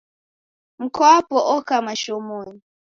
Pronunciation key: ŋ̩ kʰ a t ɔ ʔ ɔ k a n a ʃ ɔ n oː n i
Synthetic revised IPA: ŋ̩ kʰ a p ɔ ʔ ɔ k a m a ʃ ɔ m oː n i